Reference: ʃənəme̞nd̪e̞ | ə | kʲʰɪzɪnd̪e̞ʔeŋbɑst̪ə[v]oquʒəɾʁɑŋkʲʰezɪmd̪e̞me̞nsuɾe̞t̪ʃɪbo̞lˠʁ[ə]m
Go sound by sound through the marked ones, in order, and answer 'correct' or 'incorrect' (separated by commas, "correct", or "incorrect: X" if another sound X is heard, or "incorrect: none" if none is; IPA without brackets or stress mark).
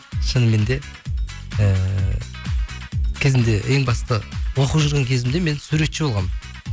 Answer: incorrect: w, incorrect: ɑ